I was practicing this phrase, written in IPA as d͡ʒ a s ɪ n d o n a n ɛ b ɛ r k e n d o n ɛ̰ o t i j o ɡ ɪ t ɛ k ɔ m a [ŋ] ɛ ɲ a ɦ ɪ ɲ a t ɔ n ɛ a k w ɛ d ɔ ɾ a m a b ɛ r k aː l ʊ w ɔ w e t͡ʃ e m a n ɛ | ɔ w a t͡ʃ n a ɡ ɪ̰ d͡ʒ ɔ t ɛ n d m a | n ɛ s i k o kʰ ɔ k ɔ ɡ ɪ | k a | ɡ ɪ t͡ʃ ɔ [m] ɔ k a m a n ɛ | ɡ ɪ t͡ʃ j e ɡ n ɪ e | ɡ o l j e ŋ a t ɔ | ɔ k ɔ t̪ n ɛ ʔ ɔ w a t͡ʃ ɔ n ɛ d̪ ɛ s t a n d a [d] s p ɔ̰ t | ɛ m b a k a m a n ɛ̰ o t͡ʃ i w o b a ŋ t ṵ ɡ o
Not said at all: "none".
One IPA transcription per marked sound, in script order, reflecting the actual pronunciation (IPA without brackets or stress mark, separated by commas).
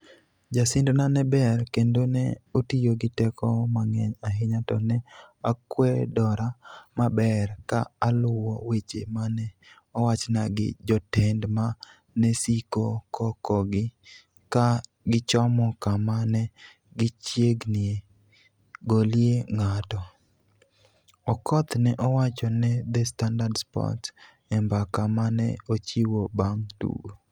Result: ŋ, m, d